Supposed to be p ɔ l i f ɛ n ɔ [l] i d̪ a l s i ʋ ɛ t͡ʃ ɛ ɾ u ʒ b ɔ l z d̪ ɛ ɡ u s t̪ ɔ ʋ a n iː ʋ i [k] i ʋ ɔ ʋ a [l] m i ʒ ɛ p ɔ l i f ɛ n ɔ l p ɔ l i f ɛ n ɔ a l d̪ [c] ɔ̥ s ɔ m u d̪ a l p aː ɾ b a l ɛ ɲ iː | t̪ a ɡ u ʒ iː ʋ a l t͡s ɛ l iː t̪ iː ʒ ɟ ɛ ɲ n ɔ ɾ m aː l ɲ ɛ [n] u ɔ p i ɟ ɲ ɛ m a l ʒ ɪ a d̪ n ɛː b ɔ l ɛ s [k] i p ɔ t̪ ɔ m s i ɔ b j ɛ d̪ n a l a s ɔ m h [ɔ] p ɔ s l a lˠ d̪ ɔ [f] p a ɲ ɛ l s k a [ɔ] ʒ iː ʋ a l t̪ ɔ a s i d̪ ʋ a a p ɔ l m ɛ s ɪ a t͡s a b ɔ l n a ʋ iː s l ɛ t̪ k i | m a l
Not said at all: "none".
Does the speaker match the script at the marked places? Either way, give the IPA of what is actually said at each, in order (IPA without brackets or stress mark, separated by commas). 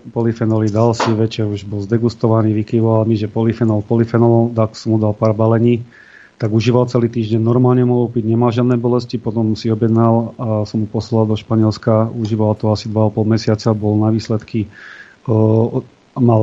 l, k, l, k, m, c, u, ʃ, u